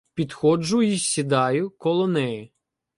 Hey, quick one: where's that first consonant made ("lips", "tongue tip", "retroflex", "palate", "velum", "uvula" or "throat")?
lips